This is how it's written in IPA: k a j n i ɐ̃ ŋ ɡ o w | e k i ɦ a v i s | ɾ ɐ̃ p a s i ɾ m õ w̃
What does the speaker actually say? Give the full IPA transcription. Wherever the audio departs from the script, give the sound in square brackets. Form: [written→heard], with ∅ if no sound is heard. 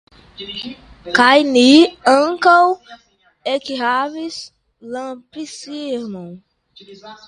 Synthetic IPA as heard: k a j n i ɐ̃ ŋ [ɡ→k] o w | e k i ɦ a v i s | [ɾ→l] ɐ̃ p [a→i] s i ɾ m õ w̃